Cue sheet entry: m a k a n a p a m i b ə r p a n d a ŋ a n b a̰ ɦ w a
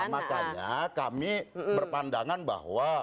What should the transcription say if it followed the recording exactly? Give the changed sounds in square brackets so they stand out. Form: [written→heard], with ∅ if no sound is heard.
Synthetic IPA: m a k a [n→ɲ] a [p→k] a m i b ə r p a n d a ŋ a n b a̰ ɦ w a